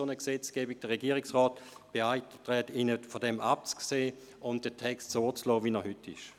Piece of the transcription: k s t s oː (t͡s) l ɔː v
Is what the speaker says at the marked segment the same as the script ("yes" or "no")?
yes